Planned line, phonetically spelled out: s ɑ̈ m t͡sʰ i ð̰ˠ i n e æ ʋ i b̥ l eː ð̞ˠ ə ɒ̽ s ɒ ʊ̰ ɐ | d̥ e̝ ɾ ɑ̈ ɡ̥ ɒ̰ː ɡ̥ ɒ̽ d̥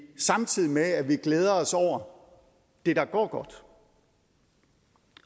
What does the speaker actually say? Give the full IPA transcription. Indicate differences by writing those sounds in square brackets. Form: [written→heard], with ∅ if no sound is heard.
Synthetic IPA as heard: s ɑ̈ m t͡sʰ i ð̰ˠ i [n→m] e æ ʋ i [b̥→ɡ̥] l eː ð̞ˠ [ə→ɐ] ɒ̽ s ɒ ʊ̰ ɐ | d̥ e̝ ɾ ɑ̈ ɡ̥ ɒ̰ː ɡ̥ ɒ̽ d̥

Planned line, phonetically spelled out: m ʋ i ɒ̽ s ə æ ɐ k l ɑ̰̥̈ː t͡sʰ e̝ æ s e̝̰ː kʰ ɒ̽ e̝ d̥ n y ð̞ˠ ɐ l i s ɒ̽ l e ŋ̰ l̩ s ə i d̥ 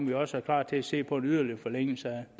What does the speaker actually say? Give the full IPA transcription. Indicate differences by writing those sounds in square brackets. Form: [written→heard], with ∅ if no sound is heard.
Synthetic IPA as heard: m ʋ i ɒ̽ s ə æ ɐ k l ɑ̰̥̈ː t͡sʰ e̝ æ s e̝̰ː [kʰ→pʰ] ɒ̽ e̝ [d̥→∅] n y ð̞ˠ ɐ l i [s→f] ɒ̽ l e ŋ̰ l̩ s ə [i→æ] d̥

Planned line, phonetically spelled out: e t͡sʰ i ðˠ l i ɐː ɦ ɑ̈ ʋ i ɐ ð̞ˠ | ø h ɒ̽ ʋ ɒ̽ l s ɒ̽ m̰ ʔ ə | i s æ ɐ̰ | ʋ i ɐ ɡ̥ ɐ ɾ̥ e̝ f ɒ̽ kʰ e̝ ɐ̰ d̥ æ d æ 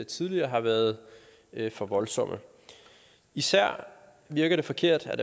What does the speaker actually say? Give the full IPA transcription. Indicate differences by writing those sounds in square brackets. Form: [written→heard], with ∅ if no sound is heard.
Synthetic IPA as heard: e t͡sʰ i ðˠ l i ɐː ɦ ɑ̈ ʋ [i→æ] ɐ ð̞ˠ | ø [h→f] ɒ̽ ʋ ɒ̽ l s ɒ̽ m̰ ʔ ə | i s æ ɐ̰ | ʋ i ɐ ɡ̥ ɐ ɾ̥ e̝ f ɒ̽ kʰ e̝ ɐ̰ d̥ æ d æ

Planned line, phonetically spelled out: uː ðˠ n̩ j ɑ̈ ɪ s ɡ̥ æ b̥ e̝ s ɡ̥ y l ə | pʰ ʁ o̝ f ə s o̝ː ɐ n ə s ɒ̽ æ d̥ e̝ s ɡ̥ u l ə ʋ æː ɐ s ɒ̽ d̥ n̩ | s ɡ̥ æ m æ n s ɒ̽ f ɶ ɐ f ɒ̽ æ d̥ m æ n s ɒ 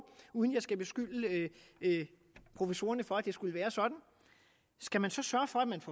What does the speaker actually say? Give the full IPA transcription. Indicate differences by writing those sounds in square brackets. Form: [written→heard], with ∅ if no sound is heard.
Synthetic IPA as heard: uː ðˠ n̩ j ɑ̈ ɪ s ɡ̥ æ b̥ e̝ s ɡ̥ y l ə | pʰ ʁ o̝ f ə s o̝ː ɐ n ə [s→f] ɒ̽ æ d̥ e̝ s ɡ̥ u l ə ʋ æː ɐ s ɒ̽ d̥ n̩ | s ɡ̥ æ m æ n s ɒ̽ [f→s] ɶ ɐ f ɒ̽ æ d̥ m æ n [s→f] ɒ

